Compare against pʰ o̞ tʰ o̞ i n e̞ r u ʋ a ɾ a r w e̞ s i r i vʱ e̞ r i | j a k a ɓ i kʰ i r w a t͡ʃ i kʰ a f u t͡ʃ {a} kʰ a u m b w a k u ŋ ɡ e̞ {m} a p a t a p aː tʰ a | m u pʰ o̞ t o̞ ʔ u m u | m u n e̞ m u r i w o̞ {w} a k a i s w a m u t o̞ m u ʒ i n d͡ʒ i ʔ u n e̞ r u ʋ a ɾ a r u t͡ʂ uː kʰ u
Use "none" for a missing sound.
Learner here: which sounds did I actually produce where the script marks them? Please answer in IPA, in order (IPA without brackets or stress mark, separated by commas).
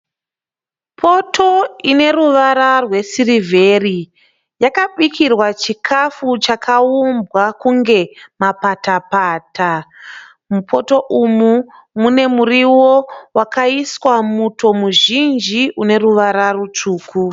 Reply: a, m, w